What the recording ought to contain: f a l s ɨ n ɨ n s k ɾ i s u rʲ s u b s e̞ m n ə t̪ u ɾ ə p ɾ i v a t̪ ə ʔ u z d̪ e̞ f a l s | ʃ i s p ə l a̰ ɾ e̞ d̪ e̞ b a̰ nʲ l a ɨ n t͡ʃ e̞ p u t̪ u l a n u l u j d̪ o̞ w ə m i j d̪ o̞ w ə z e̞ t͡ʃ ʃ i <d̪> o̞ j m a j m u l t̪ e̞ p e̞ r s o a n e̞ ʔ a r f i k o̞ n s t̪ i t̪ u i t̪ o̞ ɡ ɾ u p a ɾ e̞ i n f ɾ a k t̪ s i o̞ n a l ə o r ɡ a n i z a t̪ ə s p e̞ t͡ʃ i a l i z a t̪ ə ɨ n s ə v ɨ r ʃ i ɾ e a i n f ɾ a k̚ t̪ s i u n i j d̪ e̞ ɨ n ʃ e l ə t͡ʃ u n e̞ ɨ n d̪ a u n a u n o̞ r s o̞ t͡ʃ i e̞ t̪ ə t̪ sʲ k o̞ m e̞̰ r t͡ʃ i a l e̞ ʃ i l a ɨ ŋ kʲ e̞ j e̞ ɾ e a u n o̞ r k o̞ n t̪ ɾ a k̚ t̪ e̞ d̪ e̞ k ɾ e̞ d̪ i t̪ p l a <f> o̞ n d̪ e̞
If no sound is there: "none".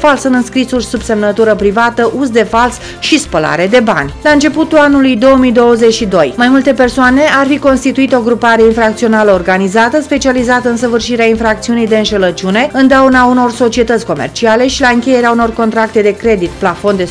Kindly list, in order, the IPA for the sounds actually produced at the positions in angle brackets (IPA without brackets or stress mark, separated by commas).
d̪, f